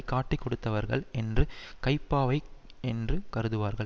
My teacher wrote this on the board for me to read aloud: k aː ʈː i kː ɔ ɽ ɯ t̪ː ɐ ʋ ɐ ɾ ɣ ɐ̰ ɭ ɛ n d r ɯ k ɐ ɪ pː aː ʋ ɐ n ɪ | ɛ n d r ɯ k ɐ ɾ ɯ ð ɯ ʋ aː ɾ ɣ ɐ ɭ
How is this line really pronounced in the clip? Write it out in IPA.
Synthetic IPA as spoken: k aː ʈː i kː ɔ ɽ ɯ t̪ː ɐ ʋ ɐ ɾ ɣ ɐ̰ ɭ ɛ n d r ɯ k ɐ ɪ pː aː ʋ ɐ ɪ | ɛ n d r ɯ k ɐ ɾ ɯ ð ɯ ʋ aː ɾ ɣ ɐ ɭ